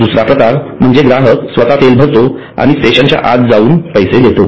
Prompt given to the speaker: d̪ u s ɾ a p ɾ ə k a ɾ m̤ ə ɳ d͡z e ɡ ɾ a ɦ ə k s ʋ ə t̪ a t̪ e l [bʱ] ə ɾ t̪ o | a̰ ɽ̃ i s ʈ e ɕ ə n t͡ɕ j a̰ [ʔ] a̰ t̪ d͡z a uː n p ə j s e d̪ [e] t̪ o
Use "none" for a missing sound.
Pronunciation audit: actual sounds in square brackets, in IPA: bʱ, ʔ, e

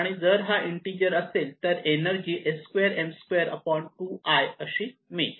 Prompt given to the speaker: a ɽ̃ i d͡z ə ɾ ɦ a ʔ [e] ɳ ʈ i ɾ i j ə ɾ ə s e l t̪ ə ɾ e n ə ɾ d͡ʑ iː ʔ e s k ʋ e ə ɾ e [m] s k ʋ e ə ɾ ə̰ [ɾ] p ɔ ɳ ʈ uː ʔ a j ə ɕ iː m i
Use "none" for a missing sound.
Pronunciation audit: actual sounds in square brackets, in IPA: i, m, none

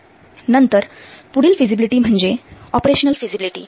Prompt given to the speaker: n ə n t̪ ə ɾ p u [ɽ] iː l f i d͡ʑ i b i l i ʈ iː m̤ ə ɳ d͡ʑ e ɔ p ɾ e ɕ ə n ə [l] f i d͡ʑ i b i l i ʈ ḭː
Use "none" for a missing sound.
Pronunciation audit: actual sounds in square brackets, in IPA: ɽ, l

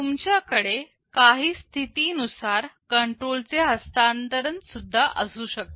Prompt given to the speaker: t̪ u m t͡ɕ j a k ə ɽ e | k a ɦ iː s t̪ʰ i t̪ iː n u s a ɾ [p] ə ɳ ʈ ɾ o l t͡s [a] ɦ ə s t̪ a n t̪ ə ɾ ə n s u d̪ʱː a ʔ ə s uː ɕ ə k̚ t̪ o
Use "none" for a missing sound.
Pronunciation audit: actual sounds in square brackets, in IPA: k, e

